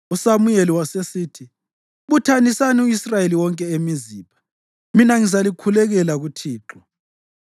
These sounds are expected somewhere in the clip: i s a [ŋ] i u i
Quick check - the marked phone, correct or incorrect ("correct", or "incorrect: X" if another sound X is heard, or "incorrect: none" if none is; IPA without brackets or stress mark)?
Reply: incorrect: n